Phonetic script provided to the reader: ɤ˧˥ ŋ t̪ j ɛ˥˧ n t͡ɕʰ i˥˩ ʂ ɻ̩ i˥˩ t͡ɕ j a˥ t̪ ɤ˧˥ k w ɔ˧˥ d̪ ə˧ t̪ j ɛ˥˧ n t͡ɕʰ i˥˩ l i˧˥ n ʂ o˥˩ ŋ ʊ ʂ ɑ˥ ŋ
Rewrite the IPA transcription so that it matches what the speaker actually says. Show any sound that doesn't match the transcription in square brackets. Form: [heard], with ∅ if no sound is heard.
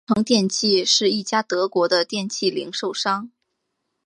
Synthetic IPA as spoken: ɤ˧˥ ŋ t̪ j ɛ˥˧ n t͡ɕʰ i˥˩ ʂ ɻ̩ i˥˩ t͡ɕ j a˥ t̪ ɤ˧˥ k w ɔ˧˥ d̪ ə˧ t̪ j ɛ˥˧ n t͡ɕʰ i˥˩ l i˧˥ [ŋ] ʂ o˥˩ [∅] ʊ ʂ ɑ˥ ŋ